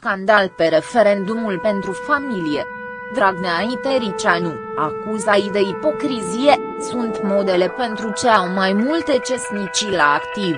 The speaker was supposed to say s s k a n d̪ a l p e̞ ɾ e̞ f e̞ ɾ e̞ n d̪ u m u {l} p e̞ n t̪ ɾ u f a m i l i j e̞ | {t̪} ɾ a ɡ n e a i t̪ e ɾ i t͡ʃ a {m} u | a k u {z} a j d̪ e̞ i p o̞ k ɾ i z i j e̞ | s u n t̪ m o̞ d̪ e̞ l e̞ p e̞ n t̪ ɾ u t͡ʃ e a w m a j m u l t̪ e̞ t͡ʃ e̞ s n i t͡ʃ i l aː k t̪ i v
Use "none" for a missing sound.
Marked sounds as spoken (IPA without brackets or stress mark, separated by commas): l, d̪, n, z